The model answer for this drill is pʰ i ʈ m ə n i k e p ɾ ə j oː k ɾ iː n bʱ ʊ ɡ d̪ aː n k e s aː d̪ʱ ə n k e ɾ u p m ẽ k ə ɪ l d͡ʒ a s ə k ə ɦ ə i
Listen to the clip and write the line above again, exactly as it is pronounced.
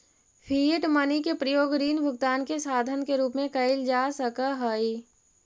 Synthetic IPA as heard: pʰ i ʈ m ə n i k e p ɾ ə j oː ɡ ɾ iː n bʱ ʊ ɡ t̪ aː n k e s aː d̪ʱ ə n k e ɾ uː p m ẽ k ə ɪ l d͡ʒ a s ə k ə ɦ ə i

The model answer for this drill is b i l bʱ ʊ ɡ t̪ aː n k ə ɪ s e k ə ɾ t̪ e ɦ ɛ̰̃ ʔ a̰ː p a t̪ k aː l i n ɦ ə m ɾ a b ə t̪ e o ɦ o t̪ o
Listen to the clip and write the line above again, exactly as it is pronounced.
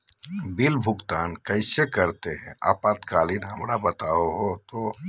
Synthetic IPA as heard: b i l bʱ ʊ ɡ t̪ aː n k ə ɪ s e k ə ɾ t̪ e ɦ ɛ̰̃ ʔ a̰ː p a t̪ k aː l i n ɦ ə m ɾ a b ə t̪ a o ɦ o t̪ o

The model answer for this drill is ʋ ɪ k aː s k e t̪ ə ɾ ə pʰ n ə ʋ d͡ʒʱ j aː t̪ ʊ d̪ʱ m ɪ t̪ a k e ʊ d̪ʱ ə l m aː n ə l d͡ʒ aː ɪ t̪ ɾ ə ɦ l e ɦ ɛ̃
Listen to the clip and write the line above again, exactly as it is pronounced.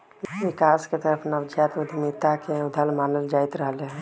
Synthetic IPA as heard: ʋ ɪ k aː s k e t̪ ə ɾ ə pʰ n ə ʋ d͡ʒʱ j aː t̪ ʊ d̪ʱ m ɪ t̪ a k e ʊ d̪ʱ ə l m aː n ə l d͡ʒ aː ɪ t̪ ɾ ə ɦ l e ɦ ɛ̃

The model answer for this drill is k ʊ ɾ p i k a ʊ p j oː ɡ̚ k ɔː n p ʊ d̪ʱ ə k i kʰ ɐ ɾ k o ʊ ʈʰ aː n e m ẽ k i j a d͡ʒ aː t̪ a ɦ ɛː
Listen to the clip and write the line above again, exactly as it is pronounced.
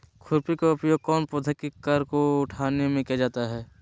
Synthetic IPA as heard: kʰ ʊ ɾ p i k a ʊ p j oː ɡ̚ k ɔː n p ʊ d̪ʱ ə k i k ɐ ɾ k o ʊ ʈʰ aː n e m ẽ k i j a d͡ʒ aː t̪ a ɦ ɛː

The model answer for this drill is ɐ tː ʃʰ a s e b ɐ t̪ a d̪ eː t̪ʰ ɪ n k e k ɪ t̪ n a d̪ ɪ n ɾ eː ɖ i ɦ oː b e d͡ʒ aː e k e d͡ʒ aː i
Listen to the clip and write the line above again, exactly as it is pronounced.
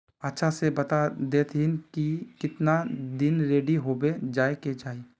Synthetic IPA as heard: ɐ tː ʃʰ a s e b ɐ t̪ a d̪ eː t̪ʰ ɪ n k i k ɪ t̪ n a d̪ ɪ n ɾ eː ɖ i ɦ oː b e d͡ʒ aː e k e d͡ʒ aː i

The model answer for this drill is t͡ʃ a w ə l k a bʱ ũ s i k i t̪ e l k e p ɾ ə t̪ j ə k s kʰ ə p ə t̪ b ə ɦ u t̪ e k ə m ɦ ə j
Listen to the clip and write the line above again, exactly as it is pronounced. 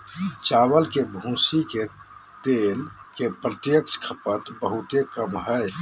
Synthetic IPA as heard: t͡ʃ a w ə l k e bʱ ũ s i k e t̪ e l k e p ɾ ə t̪ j ə k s kʰ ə p ə t̪ b ə ɦ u t̪ e k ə m ɦ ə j

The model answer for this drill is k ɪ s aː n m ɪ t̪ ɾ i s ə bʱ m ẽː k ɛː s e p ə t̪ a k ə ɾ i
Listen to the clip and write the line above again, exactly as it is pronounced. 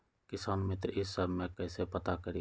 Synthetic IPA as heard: k ɪ s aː n m ɪ t̪ ɾ ɪ s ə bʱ m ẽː k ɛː s e p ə t̪ a k ə ɾ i

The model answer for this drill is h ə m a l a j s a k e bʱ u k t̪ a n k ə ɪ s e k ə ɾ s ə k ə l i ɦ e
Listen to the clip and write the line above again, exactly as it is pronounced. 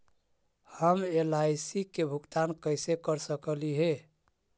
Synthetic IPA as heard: h ə m e l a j s i k e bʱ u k t̪ a n k ə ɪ s e k ə ɾ s ə k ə l i ɦ e

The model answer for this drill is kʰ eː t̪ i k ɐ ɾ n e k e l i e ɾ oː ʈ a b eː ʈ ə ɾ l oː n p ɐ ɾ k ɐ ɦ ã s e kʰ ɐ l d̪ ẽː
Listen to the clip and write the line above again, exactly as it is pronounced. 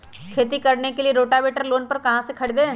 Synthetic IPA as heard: kʰ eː t̪ i k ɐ ɾ n e k e l i e ɾ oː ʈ a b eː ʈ ə ɾ l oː n p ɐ ɾ k ɐ ɦ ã s e kʰ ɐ ɽ d̪ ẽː

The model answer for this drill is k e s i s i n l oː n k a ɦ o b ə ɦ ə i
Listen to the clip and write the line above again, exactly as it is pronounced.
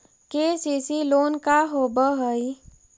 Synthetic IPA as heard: k e s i s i l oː n k a ɦ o b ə ɦ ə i

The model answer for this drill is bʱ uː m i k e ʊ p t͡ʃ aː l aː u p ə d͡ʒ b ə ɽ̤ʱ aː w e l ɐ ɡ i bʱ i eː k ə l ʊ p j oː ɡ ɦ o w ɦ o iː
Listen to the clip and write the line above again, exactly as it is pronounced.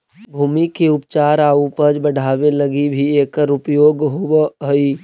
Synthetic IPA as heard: bʱ uː m i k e ʊ p t͡ʃ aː ɾ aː u p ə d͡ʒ b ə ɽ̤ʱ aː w e l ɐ ɡ i bʱ i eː k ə ɾ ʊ p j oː ɡ ɦ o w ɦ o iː

